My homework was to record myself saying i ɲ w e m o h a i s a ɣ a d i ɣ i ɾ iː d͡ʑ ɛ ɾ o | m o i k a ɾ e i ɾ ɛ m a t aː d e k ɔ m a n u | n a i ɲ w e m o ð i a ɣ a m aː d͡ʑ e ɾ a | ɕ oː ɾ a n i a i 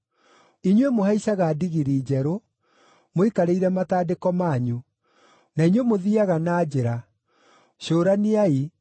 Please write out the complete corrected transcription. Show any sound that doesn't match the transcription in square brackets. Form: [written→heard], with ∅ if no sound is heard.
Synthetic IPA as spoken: i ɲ w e m o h a i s a ɣ a d i ɣ i ɾ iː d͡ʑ ɛ ɾ o | m o i k a ɾ e i ɾ ɛ m a t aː d e k ɔ m a [n→ɲ] u | n a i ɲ w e m o ð i a ɣ a [m→n] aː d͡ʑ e ɾ a | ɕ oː ɾ a n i a i